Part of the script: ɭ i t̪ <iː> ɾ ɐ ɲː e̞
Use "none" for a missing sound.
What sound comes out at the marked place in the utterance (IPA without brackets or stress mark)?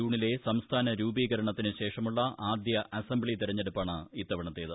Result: i